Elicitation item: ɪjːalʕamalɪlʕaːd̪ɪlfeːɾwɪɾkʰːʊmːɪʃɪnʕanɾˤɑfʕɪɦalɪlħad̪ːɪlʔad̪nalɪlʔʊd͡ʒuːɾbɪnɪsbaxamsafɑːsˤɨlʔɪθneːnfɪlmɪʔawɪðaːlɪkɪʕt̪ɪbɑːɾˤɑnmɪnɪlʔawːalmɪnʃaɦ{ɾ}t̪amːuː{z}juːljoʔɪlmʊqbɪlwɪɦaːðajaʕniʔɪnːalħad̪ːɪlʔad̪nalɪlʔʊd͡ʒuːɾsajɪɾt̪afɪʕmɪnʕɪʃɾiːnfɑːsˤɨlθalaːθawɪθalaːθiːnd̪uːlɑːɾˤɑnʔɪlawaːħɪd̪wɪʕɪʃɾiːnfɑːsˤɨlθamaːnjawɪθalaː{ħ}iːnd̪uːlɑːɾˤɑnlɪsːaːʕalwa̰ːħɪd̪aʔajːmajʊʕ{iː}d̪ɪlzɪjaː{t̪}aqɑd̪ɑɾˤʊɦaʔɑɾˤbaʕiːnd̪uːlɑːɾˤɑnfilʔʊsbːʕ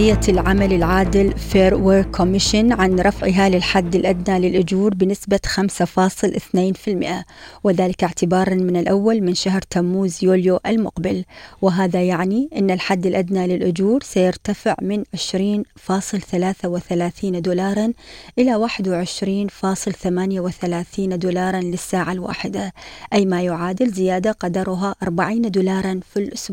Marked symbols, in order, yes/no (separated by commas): yes, yes, no, no, no